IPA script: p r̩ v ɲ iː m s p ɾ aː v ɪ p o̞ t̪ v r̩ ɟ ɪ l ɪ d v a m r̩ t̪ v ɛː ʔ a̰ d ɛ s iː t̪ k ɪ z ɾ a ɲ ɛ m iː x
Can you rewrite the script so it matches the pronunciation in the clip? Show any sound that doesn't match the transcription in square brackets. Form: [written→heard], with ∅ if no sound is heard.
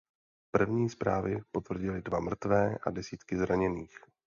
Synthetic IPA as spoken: p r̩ v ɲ iː [m→∅] s p ɾ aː v ɪ p o̞ t̪ v r̩ ɟ ɪ l ɪ d v a m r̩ t̪ v ɛː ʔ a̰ d ɛ s iː t̪ k ɪ z ɾ a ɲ ɛ [m→n] iː x